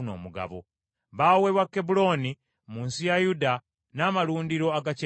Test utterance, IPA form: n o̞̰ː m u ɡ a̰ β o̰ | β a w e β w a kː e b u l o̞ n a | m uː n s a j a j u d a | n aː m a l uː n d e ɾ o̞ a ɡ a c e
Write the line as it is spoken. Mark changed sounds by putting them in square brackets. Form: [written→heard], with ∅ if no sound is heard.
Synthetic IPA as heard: n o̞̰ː m u ɡ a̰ β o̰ | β a w e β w a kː e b u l o̞ n [a→i] | m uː n s [a→i] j a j u d a | n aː m a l uː n d [e→i] ɾ o̞ a ɡ a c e